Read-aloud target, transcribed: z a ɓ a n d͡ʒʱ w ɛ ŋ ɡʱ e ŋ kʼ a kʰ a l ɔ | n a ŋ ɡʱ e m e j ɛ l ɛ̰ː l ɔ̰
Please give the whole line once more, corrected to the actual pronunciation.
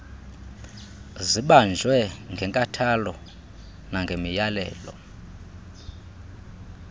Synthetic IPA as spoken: z i ɓ a n d͡ʒʱ w ɛ ŋ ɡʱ ɛ ŋ kʼ a tʰ a l ɔ | n a ŋ ɡʱ e m i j a l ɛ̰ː l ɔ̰

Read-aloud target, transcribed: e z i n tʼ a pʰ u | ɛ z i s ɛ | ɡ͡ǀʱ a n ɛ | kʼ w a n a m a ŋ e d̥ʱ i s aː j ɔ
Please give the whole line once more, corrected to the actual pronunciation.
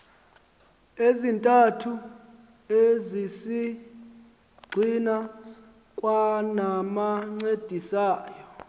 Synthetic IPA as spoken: e z i n tʼ a tʰ u | e z i s i | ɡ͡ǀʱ i n a | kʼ w a n a m a ŋ͡ǀ e d̥ʱ i s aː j ɔ

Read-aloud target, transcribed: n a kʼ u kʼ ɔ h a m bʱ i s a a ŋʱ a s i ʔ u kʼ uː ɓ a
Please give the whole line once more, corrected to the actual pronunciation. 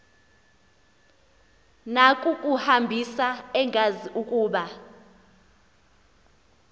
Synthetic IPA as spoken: n a kʼ u kʼ u h a m bʱ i s a ɛ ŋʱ a z i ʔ u kʼ uː ɓ a

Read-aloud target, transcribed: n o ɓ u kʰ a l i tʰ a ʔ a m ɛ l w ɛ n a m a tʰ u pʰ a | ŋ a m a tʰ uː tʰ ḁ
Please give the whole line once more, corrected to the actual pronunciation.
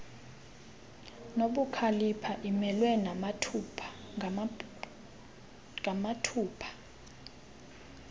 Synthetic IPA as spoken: n o ɓ u kʰ a l i pʰ a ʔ i m ɛ l w ɛ n a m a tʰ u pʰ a | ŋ a m a tʰ uː pʰ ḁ

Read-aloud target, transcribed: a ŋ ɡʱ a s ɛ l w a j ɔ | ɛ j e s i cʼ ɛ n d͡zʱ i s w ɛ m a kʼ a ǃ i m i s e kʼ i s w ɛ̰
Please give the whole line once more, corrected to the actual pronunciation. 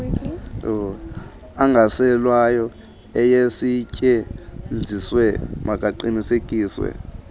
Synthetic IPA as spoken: a ŋ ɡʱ a s ɛ l w a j ɔ | ɛ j e s i cʼ ɛ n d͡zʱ i s w ɛ m a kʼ a ǃ i n i s e kʼ iː s w ɛ̰

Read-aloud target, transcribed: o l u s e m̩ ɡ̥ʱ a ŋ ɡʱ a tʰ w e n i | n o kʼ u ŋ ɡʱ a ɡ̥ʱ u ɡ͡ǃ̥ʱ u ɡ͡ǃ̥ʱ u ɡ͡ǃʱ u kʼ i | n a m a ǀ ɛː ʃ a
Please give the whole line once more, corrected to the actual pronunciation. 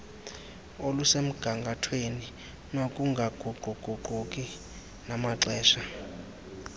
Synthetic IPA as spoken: o l u s e m̩ ɡ̥ʱ a ŋ ɡʱ a tʰ w e n i | n o kʼ u ŋ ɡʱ a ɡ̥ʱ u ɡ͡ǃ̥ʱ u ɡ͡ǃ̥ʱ u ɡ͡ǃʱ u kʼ i | n a m a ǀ ɛː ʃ a

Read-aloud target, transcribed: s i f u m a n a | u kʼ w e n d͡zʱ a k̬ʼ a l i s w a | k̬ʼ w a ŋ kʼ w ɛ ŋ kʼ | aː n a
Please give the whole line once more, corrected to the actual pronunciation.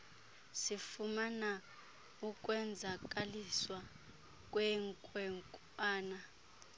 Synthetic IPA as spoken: s i f u m a n a | u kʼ w ɛ n d͡zʱ a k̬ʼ a l i s w a | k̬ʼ w ɛ ŋ kʼ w ɛ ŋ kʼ | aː n a

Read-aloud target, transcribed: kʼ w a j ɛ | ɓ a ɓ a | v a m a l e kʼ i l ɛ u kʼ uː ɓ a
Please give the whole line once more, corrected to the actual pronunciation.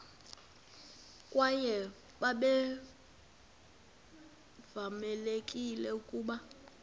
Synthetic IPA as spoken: kʼ w a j ɛ | ɓ a ɓ ɛ | v a m ɛ l e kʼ i l ɛ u kʼ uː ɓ a

